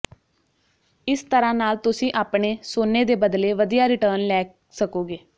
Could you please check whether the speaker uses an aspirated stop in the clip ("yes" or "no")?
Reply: no